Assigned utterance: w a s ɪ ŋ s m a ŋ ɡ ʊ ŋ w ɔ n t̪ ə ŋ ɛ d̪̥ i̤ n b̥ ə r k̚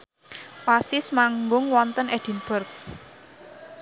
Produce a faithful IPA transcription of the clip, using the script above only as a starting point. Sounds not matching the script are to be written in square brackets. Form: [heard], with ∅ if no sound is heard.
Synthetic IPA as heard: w a s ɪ [∅] s m a ŋ ɡ ʊ ŋ w ɔ n t̪ ə [n] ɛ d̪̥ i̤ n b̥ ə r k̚

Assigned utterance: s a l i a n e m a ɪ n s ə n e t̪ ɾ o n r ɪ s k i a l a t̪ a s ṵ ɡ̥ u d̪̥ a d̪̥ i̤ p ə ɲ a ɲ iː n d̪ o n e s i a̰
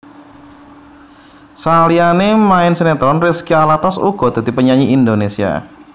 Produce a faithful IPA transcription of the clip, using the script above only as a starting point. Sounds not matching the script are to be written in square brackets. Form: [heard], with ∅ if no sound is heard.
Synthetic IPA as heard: s a l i a n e m a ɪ n s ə n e t̪ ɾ [ɔ] n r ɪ s k i a l a t̪ a s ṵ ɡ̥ [ɔ] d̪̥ a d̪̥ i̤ p ə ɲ a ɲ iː n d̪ o n e s i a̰

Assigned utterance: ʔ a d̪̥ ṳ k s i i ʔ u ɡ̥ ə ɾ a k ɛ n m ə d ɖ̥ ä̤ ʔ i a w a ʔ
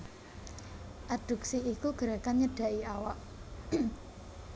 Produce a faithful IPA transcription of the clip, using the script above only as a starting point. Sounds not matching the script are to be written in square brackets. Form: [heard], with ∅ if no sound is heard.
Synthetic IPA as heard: ʔ a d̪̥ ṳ k s i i [k] u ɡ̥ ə ɾ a k [a] n [ɲ] ə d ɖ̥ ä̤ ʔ i a w a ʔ

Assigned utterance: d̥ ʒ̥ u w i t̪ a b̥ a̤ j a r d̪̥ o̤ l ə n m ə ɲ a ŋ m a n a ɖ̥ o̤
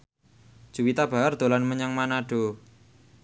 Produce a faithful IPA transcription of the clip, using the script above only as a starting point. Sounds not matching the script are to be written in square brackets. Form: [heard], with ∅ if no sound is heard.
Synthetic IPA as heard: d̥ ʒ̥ u w i t̪ a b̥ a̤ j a r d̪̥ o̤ l [a] n m ə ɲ a ŋ m a n a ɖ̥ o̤

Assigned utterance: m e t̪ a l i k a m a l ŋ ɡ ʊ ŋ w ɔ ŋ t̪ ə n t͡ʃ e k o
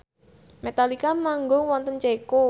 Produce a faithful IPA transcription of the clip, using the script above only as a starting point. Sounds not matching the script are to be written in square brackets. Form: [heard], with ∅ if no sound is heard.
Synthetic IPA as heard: m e t̪ a l i k a m a [∅] ŋ ɡ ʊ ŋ w ɔ [n] t̪ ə n t͡ʃ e k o

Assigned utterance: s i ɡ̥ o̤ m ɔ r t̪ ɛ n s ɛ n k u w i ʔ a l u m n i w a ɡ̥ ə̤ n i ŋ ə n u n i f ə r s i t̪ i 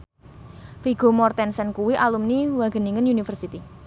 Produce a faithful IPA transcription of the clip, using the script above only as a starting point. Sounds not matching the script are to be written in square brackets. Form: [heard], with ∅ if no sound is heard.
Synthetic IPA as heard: [f] i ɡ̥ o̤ m ɔ r t̪ ɛ n s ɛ n k u w i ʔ a l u m n i w a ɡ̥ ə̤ n i ŋ ə n u n i f ə r s i t̪ i

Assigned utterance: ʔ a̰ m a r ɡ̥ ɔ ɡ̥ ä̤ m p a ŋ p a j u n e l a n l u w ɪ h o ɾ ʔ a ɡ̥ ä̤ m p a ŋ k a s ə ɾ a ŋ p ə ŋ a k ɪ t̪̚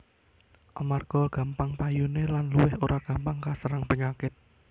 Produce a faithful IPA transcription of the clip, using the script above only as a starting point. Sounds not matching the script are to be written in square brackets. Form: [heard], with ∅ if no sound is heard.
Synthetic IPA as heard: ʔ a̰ m a r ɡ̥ ɔ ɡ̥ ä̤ m p a ŋ p a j u n e l a n l u w ɪ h o ɾ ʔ a ɡ̥ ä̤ m p a ŋ k a s ə ɾ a ŋ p ə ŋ a k ɪ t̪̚

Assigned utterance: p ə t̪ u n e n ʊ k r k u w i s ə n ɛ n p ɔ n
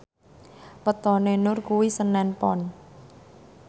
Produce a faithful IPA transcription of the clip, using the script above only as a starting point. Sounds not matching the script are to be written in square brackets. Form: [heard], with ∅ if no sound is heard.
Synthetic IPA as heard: p ə t̪ [ɔ] n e n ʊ [∅] r k u w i s ə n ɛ n p ɔ n

